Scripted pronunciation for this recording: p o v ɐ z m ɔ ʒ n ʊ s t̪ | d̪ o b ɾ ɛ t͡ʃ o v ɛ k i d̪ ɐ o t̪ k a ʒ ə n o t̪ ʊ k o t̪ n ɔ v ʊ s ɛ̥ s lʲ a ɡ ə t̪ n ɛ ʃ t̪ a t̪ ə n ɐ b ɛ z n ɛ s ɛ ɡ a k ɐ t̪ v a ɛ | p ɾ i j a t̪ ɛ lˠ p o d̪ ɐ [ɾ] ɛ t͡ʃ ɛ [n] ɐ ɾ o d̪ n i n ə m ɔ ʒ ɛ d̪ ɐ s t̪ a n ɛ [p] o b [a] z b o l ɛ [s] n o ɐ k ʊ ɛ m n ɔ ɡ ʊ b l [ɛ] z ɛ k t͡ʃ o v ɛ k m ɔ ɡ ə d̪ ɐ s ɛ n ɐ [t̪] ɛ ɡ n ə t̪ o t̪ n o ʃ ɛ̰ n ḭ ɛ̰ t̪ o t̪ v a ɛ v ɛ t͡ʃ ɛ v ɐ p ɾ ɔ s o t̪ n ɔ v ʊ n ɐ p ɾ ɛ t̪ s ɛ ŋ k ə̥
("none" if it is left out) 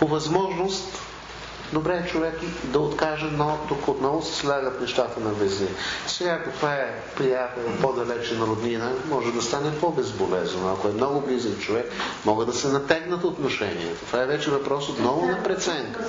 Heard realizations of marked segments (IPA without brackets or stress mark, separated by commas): l, n, p, ɛ, z, i, t̪